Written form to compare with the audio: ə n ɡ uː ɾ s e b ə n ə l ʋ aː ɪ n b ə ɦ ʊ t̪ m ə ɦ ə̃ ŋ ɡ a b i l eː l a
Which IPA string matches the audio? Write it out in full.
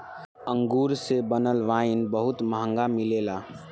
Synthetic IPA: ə ŋ ɡ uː ɾ s e b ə n ə l ʋ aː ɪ n b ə ɦ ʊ t̪ m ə ɦ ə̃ ŋ ɡ a m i l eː l a